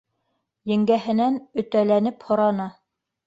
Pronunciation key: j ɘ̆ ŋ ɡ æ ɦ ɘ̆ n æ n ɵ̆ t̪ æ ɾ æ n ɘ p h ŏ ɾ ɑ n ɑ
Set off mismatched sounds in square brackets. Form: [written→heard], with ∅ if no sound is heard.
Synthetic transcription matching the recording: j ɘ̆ ŋ ɡ æ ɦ ɘ̆ n æ n ɵ̆ t̪ æ [ɾ→l] æ n ɘ p h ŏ ɾ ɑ n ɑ